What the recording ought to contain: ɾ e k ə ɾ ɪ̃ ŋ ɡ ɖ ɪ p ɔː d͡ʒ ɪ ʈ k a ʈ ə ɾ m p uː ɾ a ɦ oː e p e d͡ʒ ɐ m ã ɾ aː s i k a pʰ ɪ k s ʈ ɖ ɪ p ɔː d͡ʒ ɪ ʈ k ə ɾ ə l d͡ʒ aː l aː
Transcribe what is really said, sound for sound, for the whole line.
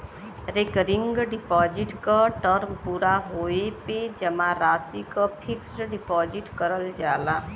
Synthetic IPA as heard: ɾ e k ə ɾ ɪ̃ ŋ ɡ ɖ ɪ p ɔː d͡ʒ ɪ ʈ k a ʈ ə ɾ m p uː ɾ a ɦ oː e p e d͡ʒ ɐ m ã ɾ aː s i k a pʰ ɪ k s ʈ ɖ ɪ p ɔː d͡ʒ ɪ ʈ k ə ɾ ə l d͡ʒ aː l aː